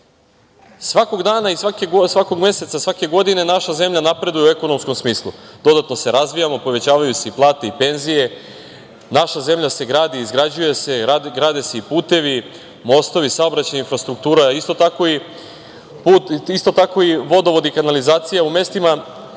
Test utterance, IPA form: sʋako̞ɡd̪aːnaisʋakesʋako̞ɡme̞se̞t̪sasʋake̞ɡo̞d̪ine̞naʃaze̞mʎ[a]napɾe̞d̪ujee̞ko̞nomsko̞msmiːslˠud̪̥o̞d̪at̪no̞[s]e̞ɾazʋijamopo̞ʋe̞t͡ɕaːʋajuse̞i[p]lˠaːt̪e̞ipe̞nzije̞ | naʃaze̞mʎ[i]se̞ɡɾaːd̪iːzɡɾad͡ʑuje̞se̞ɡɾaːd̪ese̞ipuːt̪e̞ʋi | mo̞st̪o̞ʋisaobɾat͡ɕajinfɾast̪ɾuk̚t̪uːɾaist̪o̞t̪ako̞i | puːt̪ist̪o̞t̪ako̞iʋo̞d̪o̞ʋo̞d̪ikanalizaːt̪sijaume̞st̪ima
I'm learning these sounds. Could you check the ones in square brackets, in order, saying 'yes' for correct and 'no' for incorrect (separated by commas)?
yes, yes, yes, no